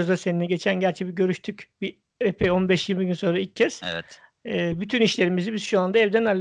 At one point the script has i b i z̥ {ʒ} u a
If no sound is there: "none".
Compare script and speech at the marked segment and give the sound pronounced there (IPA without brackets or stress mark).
ʃ